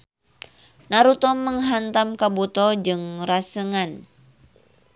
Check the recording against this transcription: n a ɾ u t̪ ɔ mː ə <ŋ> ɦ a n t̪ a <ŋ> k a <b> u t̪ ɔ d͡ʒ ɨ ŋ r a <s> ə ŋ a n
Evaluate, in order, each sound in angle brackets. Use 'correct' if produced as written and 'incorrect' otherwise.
correct, incorrect: m, correct, correct

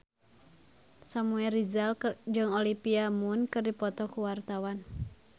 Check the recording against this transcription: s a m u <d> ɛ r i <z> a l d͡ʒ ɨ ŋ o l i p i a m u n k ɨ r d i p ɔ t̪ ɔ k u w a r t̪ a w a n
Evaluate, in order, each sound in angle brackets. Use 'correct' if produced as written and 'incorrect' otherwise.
incorrect: none, correct

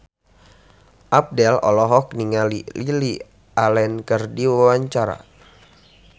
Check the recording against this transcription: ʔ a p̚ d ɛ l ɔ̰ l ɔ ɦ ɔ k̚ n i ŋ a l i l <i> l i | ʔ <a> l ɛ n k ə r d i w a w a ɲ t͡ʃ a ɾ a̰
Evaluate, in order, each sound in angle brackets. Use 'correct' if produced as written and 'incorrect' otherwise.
correct, correct

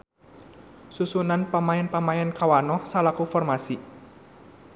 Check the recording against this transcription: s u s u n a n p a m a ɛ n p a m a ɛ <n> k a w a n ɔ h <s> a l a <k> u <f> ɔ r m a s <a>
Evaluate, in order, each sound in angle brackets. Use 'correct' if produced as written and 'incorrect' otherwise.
correct, correct, correct, correct, incorrect: i

